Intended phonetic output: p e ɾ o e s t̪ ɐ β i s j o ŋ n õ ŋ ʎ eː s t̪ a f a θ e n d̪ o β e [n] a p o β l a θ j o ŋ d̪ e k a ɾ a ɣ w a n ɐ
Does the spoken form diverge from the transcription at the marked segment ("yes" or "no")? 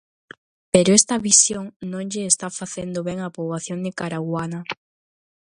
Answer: yes